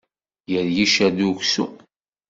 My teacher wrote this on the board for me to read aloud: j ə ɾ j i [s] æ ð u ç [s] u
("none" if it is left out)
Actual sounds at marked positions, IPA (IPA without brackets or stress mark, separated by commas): ʃ, s